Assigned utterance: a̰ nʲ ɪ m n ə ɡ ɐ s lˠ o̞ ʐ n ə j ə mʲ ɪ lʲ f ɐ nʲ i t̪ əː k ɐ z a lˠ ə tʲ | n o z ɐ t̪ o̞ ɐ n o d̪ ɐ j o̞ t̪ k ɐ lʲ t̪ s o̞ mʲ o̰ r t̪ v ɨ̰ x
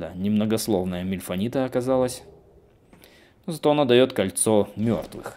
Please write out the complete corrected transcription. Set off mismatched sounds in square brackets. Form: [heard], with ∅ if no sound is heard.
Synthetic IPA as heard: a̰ nʲ ɪ m n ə ɡ ɐ s lˠ o̞ [v] n ə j ə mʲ ɪ lʲ f ɐ nʲ i t̪ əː k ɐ z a lˠ ə [sʲ] | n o z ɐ t̪ o̞ ɐ n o d̪ ɐ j o̞ t̪ k ɐ lʲ t̪ s o̞ mʲ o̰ r t̪ v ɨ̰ x